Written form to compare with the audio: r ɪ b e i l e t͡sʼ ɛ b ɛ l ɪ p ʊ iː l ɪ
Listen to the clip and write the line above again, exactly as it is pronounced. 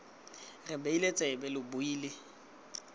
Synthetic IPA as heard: r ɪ b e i l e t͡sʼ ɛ b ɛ l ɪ b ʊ iː l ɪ